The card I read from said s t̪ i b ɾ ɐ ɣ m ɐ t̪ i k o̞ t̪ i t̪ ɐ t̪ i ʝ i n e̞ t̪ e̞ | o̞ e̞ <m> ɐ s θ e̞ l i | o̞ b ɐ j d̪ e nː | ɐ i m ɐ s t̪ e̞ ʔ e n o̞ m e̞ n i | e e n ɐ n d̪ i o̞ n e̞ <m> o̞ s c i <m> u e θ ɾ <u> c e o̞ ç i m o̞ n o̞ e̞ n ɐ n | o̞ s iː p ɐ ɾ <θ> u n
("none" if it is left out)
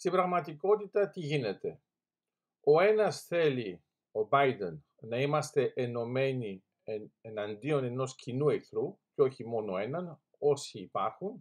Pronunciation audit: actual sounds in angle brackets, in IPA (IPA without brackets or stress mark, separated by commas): n, n, n, u, x